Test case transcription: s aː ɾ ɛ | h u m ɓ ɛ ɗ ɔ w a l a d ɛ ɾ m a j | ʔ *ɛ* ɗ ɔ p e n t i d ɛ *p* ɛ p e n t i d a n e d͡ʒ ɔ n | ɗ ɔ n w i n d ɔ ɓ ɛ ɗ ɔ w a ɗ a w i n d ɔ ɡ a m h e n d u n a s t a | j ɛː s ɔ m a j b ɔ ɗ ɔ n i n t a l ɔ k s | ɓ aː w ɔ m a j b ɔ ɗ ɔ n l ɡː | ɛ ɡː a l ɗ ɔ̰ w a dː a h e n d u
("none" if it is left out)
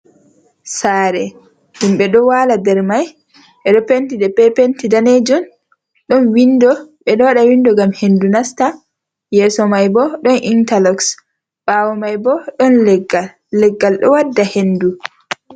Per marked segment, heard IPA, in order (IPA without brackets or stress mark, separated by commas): ɛ, p